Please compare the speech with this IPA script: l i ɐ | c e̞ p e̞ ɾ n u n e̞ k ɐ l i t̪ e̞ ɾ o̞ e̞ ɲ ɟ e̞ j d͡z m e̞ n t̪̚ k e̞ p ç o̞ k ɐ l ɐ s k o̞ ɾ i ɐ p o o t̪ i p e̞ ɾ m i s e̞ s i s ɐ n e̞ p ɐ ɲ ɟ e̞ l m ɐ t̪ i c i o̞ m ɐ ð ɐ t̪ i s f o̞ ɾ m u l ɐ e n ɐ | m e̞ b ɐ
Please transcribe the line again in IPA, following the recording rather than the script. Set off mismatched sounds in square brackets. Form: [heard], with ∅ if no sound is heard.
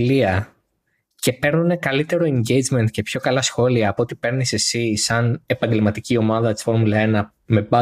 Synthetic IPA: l i ɐ | c e̞ p e̞ ɾ n u n e̞ k ɐ l i t̪ e̞ ɾ o̞ e̞ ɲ ɟ e̞ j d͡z m e̞ n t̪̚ [c] e̞ p ç o̞ k ɐ l ɐ s [x] o̞ [l] i [ɐː] p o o t̪ i p e̞ ɾ [n] i s e̞ s i s ɐ n e̞ p ɐ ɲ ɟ e̞ l m ɐ t̪ i c i o̞ m ɐ ð ɐ t̪ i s f o̞ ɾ m u l ɐ e n ɐ | m e̞ b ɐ